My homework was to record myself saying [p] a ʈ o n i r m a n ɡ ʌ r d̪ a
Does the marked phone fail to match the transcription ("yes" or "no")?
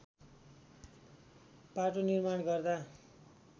no